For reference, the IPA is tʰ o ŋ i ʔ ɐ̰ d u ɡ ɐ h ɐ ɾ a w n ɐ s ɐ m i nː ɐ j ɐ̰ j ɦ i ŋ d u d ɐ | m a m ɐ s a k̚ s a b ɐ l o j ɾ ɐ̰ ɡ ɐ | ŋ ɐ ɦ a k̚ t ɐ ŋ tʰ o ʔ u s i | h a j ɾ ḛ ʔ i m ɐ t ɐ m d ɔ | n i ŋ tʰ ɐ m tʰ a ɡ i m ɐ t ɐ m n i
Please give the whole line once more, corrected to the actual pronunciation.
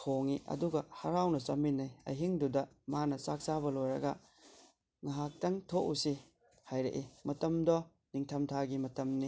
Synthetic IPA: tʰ o ŋ i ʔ ɐ̰ d u ɡ ɐ h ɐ ɾ a w n ɐ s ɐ m i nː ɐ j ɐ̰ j ɦ i ŋ d u d ɐ | m a n ɐ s a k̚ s a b ɐ l o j ɾ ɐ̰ ɡ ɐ | ŋ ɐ ɦ a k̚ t ɐ ŋ tʰ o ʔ u s i | h a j ɾ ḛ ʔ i m ɐ t ɐ m d ɔ | n i ŋ tʰ ɐ m tʰ a ɡ i m ɐ t ɐ m n i